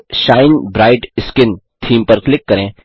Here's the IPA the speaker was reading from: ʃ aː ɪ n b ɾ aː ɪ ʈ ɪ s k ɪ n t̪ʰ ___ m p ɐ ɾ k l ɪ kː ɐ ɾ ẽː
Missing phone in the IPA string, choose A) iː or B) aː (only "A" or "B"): A